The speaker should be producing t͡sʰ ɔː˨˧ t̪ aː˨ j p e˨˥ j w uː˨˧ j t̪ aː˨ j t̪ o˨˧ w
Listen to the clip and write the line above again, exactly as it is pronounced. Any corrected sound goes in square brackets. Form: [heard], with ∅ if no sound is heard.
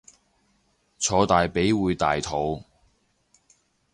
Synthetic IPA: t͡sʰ ɔː˨˧ t̪ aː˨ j p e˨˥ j w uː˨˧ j t̪ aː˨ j [t̪ʰ] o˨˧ w